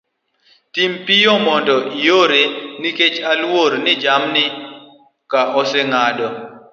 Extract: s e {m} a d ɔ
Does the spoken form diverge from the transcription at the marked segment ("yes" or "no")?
yes